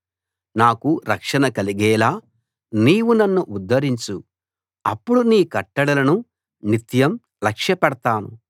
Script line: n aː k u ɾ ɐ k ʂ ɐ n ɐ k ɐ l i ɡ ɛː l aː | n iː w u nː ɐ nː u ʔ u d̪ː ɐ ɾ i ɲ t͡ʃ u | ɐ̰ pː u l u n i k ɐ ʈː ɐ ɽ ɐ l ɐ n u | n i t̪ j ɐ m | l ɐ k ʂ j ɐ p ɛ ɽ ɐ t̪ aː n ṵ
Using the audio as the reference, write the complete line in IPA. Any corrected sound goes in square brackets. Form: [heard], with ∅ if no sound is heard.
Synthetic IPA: n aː k u ɾ ɐ k ʂ ɐ n ɐ k ɐ l i ɡ ɛː l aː | n iː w u [n] ɐ nː u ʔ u d̪ː ɐ ɾ i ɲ t͡ʃ u | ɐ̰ pː u [ɽ] u n [iː] k ɐ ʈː ɐ ɽ ɐ l ɐ n u | n i t̪ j ɐ m | l ɐ k ʂ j ɐ p ɛ ɽ ɐ t̪ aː n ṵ